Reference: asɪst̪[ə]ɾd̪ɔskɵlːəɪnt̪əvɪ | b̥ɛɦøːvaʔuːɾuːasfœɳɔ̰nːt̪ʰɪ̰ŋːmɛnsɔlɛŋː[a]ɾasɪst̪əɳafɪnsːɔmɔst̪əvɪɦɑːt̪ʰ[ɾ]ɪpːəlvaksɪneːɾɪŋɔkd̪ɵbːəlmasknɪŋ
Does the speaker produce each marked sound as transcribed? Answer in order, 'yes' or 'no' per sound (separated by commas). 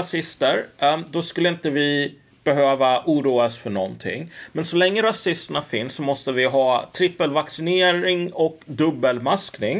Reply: yes, no, yes